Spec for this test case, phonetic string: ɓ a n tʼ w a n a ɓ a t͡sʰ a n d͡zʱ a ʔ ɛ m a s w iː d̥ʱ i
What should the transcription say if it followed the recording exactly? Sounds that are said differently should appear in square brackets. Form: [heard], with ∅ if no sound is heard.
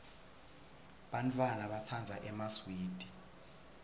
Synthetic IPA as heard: ɓ a n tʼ w a n a ɓ a t͡sʰ a n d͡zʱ a ʔ ɛ m a s w iː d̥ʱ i